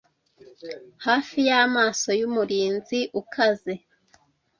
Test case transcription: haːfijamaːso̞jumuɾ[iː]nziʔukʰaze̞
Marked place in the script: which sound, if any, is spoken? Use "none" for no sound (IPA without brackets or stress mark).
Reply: iː